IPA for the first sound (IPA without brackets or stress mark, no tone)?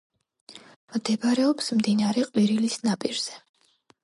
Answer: m